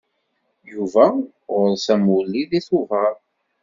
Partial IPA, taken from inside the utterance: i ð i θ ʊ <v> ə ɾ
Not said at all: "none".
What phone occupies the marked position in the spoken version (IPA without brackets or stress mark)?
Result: v